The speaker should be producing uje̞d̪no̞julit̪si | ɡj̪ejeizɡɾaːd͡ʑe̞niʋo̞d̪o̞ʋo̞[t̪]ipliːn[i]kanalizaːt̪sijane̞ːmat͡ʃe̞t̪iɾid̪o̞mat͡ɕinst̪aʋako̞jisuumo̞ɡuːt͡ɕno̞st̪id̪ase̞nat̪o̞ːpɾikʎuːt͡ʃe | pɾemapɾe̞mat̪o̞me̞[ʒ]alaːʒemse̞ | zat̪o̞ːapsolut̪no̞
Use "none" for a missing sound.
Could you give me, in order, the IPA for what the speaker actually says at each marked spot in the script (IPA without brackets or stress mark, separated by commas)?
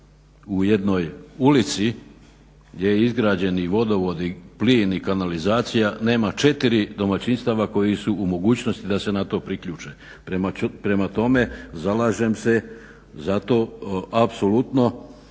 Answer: d̪, i, z